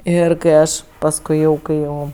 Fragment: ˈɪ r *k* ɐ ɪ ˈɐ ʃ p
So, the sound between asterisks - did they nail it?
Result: yes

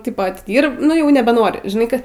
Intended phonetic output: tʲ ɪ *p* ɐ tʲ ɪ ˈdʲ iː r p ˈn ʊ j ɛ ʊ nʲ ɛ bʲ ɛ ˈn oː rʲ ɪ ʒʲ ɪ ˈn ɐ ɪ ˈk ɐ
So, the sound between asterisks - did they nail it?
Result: yes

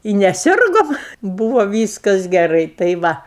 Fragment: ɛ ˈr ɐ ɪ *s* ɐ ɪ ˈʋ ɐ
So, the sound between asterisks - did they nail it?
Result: no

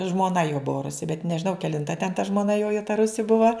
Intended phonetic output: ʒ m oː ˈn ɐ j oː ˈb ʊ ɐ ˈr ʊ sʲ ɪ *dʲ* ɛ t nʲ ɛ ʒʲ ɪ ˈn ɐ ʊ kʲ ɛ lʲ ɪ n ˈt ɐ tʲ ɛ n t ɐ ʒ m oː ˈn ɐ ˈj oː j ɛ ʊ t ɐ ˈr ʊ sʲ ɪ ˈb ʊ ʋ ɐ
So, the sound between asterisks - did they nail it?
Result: no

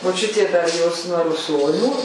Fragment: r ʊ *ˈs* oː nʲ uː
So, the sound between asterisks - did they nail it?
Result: yes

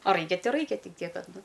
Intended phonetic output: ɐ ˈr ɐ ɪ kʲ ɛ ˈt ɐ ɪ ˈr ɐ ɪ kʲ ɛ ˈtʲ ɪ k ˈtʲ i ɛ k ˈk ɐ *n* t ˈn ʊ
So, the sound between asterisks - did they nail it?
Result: no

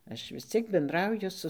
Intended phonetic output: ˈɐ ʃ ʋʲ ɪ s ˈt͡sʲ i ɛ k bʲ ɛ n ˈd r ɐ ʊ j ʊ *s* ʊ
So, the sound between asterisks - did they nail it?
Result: yes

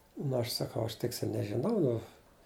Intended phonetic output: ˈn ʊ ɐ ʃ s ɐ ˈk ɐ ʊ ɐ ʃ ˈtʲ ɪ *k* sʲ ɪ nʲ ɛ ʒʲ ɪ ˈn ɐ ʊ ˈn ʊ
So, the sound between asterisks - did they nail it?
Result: yes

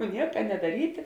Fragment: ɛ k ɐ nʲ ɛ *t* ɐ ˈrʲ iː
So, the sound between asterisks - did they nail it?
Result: no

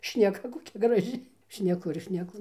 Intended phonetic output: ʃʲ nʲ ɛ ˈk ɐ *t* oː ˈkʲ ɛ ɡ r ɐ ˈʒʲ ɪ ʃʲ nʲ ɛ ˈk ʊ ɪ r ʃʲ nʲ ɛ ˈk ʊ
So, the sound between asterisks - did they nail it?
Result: no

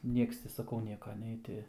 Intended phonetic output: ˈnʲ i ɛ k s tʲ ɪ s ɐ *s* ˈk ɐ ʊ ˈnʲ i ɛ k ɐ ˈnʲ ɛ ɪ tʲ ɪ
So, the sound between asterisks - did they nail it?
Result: no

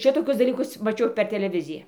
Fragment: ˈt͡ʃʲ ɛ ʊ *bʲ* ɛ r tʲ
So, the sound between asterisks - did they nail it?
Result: no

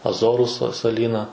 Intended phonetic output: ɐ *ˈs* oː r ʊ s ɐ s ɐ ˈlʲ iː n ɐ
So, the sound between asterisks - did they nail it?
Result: no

